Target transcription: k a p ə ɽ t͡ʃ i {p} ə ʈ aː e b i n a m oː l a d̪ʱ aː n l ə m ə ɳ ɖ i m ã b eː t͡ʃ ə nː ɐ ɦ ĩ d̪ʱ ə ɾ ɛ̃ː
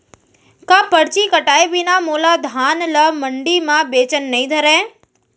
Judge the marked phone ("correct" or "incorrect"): incorrect